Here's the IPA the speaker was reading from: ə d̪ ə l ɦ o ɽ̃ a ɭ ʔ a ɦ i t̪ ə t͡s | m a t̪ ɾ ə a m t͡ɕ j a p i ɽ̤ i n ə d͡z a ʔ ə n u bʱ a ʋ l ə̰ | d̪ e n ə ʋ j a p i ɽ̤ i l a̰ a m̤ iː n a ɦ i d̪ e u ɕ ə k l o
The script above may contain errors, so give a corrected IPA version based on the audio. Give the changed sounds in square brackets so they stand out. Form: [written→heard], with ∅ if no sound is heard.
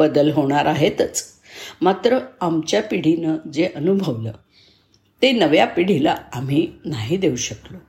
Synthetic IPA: ə d̪ ə l ɦ o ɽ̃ a [ɭ→ɾ] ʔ a ɦ [i→e] t̪ ə t͡s | m a t̪ ɾ ə a m t͡ɕ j a p i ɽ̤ i n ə d͡z [a→e] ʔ ə n u bʱ [a→ə] ʋ l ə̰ | [d̪→t̪] e n ə ʋ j a p i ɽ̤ i l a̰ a m̤ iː n a ɦ i d̪ e u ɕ ə k l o